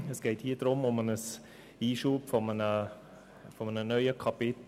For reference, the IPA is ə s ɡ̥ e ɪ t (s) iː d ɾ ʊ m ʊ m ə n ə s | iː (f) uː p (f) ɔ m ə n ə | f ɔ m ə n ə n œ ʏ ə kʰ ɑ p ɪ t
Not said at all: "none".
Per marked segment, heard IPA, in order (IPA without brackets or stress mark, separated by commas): h, ʃ, f